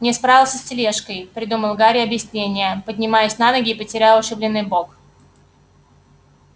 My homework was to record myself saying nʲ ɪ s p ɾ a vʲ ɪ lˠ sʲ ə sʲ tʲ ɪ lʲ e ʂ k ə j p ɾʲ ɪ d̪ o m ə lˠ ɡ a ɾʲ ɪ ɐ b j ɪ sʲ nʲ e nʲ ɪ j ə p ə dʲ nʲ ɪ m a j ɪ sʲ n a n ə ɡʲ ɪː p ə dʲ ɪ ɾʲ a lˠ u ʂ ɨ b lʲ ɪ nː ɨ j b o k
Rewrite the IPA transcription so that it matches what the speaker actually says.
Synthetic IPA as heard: nʲ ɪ s p ɾ a vʲ ɪ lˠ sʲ ə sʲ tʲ ɪ lʲ e ʂ k ə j p ɾʲ ɪ d̪ u m ə lˠ ɡ a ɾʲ ɪ ɐ b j ɪ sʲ nʲ e nʲ ɪ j ə p ə dʲ nʲ ɪ m a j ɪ sʲ n a n ə ɡʲ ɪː p ə tʲ ɪ ɾʲ a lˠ ʊ ʂ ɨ b lʲ ɪ nː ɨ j b o k